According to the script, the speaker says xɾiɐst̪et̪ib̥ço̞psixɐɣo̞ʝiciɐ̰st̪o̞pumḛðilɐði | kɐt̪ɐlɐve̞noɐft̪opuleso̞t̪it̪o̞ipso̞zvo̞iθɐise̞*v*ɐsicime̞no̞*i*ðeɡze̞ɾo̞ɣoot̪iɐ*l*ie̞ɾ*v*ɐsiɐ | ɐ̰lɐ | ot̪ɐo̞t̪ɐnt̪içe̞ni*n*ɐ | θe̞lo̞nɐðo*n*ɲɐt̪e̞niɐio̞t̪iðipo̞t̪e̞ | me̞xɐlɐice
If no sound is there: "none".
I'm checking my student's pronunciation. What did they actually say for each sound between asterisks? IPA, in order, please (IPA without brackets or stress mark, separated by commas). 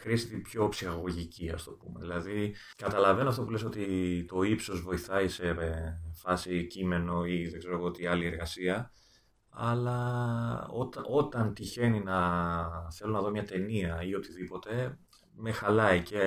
f, i, l, ɣ, n, m